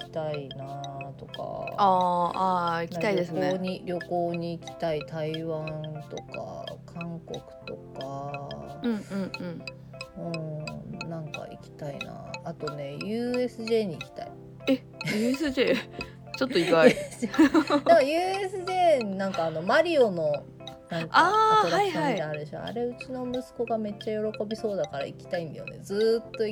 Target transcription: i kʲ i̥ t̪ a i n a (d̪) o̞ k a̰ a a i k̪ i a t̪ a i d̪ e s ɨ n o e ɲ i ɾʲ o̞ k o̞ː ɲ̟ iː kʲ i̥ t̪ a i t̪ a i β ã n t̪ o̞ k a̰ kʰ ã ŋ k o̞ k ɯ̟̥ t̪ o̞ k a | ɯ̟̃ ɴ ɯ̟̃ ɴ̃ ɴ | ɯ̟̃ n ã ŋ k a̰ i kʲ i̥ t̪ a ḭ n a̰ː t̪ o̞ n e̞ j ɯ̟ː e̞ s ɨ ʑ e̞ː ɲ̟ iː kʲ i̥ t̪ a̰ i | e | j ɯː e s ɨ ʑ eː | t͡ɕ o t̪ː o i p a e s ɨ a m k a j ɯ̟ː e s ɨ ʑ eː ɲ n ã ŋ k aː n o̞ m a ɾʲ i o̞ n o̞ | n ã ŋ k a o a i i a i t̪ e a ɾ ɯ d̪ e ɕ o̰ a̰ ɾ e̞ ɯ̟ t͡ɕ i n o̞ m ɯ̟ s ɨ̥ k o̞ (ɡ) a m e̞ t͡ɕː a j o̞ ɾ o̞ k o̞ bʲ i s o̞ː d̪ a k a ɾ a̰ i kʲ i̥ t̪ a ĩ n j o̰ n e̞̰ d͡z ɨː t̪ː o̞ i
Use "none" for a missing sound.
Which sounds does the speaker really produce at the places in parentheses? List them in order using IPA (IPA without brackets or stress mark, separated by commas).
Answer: t̪, ɡ